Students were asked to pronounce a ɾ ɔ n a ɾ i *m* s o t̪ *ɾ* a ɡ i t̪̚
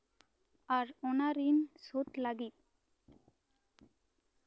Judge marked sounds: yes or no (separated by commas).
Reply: no, no